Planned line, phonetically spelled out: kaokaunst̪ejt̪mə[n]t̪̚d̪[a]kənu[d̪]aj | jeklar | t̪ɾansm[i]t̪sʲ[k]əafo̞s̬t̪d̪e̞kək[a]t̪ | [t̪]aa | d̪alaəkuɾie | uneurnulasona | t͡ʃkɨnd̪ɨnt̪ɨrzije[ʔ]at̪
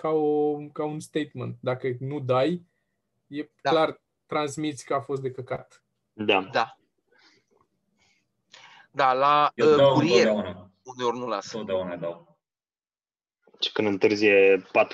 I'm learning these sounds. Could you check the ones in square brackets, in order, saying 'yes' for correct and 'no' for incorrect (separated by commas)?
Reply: yes, yes, yes, yes, yes, yes, no, no